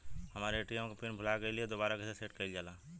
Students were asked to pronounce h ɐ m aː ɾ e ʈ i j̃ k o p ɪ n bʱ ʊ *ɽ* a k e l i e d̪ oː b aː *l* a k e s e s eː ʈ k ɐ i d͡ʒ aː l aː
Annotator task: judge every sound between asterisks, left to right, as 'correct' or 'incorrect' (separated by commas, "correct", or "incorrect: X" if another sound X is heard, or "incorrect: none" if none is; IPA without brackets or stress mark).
incorrect: l, incorrect: ɾ